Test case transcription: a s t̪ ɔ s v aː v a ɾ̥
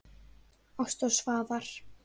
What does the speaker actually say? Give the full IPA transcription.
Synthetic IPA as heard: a s t̪ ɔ s v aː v a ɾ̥

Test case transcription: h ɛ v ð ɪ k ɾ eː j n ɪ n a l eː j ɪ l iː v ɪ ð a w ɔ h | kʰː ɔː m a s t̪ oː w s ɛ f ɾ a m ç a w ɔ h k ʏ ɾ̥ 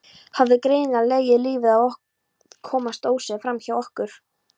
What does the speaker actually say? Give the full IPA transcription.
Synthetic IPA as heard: h a v ð ɪ k ɾ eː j n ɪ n a l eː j ɪ l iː v ɪ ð a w ɔ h | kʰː ɔː m a s t̪ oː w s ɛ f ɾ a m ç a w ɔ h k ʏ ɾ̥

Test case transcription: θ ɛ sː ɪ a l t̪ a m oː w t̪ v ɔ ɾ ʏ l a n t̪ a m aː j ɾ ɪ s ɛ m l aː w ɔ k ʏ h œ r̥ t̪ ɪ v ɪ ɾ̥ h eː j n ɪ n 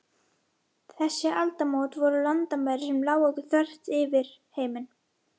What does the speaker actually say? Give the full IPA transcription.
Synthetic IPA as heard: θ ɛ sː ɪ a l t̪ a m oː w t̪ v ɔ ɾ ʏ l a n t̪ a m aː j ɾ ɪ s ɛ m l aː w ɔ k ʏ θ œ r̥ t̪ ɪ v ɪ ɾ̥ h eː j m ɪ n

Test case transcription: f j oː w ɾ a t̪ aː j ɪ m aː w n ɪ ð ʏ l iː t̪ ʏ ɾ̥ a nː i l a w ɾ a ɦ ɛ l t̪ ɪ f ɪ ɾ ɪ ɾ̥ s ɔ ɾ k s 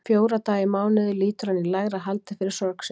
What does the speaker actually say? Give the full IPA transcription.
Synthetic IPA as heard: f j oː w ɾ a t̪ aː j ɪ m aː w n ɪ ð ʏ l iː t̪ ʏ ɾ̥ a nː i l a ɣ ɾ a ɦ a l t̪ ɪ f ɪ ɾ ɪ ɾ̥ s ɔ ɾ k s

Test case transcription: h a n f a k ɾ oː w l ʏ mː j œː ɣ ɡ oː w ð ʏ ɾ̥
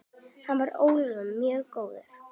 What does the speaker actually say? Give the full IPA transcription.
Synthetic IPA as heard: h a n v a ɾ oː w l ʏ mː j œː ɣ k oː w ð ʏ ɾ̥

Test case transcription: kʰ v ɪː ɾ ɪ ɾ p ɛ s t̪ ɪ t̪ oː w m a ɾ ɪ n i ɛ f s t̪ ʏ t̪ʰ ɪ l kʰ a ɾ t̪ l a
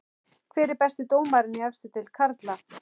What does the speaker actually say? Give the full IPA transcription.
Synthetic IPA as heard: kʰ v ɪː ɾ ɪ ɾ p ɛ s t̪ ɪ t̪ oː w m a ɾ ɪ n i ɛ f s t̪ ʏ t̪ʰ ɪ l kʰ a ɾ t̪ l a

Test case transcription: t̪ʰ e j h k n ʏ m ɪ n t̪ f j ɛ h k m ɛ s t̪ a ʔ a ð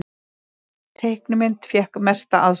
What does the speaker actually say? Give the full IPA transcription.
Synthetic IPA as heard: t̪ʰ e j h k n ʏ m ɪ n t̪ f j ɛ h k m ɛ s t̪ a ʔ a ð

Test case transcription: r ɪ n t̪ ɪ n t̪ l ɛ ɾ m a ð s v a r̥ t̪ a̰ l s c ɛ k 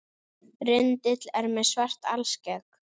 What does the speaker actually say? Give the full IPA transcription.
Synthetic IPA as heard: r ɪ n t̪ ɪ t̪ l ɛ ɾ m ɛ ð s v a r̥ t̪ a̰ l s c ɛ k

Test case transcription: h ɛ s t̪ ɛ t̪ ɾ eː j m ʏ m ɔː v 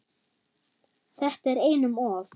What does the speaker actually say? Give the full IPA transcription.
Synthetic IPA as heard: θ ɛ h t̪ ɛ ɾ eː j n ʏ m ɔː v

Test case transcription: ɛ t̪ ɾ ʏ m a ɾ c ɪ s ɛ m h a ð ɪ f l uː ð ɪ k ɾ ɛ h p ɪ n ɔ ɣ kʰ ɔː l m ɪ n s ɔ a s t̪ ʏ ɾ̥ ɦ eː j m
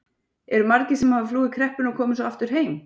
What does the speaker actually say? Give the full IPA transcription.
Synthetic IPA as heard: ɛ ɾ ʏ m a ɾ c ɪ s ɛ m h a v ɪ f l uː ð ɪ kʰ ɾ ɛ h p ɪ n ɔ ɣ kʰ ɔː m ɪ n s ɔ a f t̪ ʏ ɾ̥ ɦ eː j m

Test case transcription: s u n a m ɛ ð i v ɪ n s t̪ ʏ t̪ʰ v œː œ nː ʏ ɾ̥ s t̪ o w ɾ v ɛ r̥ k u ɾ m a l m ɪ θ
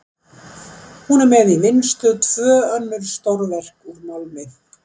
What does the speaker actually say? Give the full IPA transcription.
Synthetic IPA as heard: h u n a m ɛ ð i v ɪ n s t̪ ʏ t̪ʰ v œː œ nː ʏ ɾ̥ s t̪ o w ɾ v ɛ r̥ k u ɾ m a l m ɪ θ

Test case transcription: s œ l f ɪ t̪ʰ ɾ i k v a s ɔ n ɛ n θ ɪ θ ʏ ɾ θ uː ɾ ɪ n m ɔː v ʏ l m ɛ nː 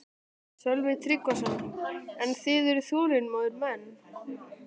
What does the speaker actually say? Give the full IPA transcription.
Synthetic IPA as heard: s œ l v ɪ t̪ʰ ɾ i k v a s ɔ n ɛ n θ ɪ ð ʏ ɾ θ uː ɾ ɪ n m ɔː ð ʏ ɾ m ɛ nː

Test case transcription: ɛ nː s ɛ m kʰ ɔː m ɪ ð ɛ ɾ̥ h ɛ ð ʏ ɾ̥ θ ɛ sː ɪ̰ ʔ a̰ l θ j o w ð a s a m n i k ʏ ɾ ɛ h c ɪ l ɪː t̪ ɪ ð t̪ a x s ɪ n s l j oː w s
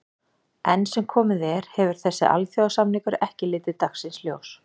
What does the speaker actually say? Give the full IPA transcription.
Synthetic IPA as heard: ɛ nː s ɛ m kʰ ɔː m ɪ ð ɛ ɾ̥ h ɛ v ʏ ɾ̥ θ ɛ sː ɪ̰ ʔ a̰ l θ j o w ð a s a m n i k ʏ ɾ ɛ h c ɪ l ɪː t̪ ɪ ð t̪ a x s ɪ n s l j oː w s

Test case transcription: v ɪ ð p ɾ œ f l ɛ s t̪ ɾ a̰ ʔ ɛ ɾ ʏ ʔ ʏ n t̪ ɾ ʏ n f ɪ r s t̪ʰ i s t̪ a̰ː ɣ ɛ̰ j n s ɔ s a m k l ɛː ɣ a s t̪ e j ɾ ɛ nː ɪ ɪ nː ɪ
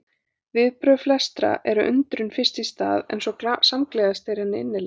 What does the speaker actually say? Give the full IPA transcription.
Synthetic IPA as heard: v ɪ ð p ɾ œ f l ɛ s t̪ ɾ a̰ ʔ ɛ ɾ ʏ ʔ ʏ n t̪ ɾ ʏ n f ɪ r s t̪ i s t̪ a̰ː ð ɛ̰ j n s ɔ s a m k l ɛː ɣ a s t̪ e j ɾ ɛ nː ɪ ɪ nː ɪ

